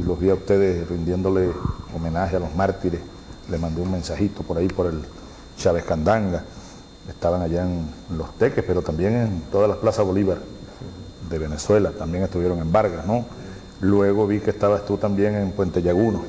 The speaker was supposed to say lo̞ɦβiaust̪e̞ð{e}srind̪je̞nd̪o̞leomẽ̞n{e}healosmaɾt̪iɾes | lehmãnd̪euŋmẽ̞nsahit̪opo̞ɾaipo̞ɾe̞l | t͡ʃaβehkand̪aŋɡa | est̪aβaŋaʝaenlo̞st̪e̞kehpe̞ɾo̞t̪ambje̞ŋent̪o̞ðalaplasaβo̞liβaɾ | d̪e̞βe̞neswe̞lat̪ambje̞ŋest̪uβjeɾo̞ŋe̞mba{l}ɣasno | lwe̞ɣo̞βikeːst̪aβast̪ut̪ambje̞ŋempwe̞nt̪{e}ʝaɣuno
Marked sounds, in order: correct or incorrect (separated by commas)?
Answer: correct, incorrect, incorrect, correct